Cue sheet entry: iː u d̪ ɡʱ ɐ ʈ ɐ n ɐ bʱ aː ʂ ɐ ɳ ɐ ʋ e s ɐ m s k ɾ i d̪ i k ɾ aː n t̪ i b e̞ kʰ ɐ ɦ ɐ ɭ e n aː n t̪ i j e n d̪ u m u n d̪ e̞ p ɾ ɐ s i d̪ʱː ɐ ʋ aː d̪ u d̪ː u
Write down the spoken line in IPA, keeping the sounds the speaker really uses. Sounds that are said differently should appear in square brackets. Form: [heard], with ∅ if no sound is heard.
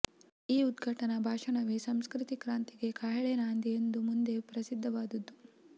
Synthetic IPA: iː u d̪ ɡʱ ɐ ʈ ɐ n ɐ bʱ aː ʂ ɐ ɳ ɐ ʋ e s ɐ m s k ɾ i [t̪] i k ɾ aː n t̪ i [ɡ] e̞ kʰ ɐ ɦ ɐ ɭ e n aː n [d̪] i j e n d̪ u m u n d̪ e̞ p ɾ ɐ s i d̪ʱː ɐ ʋ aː d̪ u d̪ː u